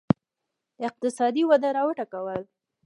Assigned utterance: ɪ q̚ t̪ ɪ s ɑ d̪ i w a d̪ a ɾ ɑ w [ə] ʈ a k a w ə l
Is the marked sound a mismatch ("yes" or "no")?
no